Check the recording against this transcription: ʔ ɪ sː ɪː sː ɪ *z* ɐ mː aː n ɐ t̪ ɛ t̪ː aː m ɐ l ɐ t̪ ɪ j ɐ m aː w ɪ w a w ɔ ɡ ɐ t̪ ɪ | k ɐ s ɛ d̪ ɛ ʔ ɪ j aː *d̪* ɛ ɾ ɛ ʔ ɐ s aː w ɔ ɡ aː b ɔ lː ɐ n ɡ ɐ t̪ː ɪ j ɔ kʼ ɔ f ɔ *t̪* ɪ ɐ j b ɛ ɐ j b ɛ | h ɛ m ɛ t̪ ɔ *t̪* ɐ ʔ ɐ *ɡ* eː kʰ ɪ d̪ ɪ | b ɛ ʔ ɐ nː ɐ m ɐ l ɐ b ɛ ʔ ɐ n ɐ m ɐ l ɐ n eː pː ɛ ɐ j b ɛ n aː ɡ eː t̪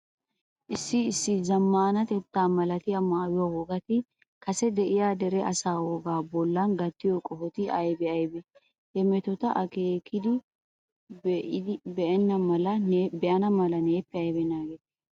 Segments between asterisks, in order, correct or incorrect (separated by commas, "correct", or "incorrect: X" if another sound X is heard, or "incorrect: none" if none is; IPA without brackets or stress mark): correct, correct, correct, correct, incorrect: k